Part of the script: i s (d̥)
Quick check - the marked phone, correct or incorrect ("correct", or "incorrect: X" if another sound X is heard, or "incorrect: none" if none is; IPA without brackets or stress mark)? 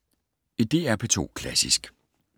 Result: incorrect: ɡ̥